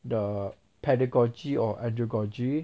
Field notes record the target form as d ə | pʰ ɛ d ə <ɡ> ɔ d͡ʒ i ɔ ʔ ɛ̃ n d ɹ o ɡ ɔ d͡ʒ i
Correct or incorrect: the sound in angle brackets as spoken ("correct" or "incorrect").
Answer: correct